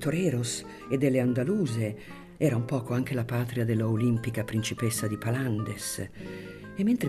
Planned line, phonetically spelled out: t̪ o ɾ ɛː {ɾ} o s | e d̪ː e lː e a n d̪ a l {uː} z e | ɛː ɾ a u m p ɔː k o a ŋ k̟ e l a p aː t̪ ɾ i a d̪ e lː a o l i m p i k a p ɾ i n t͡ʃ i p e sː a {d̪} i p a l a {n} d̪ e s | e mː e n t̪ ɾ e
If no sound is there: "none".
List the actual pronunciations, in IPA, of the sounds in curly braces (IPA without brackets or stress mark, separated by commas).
ɾ, uː, d̪, n